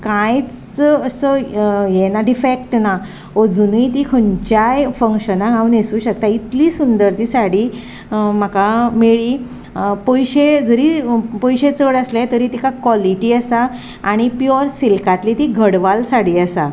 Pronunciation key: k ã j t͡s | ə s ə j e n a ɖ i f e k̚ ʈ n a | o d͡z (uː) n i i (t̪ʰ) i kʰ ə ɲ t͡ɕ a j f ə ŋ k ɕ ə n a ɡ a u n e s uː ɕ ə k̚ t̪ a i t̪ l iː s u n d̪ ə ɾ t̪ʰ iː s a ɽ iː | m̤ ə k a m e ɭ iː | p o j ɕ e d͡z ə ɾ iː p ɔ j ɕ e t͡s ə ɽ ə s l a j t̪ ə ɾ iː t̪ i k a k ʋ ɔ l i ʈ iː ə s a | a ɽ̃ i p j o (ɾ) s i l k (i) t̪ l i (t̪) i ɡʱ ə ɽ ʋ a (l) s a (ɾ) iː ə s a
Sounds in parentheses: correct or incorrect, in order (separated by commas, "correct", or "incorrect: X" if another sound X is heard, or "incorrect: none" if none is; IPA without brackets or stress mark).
incorrect: u, incorrect: t̪, correct, incorrect: a, correct, correct, incorrect: ɽ